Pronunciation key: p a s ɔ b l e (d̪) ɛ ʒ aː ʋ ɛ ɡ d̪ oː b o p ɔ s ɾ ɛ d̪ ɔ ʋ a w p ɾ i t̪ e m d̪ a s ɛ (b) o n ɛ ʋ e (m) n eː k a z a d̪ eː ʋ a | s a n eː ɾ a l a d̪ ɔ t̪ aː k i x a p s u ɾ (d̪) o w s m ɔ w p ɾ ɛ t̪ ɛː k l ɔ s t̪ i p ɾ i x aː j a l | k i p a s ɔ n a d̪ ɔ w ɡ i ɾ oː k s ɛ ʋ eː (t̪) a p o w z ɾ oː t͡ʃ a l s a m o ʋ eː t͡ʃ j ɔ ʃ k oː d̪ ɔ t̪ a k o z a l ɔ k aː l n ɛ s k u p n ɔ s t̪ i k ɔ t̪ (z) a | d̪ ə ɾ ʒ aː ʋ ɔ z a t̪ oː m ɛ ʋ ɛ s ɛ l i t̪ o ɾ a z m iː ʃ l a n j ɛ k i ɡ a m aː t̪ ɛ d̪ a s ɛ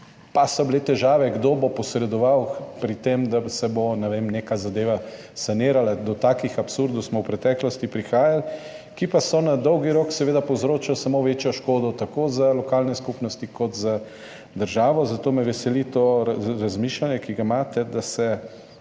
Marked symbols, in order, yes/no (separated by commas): no, yes, yes, yes, no, yes